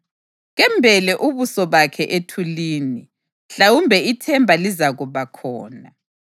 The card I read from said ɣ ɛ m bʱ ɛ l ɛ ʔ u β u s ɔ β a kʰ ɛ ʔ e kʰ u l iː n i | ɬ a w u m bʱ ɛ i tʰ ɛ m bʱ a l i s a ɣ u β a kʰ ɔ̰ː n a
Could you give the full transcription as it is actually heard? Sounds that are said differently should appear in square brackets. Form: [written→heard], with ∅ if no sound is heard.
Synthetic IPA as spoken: ɣ ɛ m bʱ ɛ l ɛ ʔ u β u s ɔ β a kʰ ɛ ʔ e [kʰ→tʰ] u l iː n i | ɬ a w u m bʱ ɛ i tʰ ɛ m bʱ a l i [s→z] a ɣ u β a kʰ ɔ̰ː n a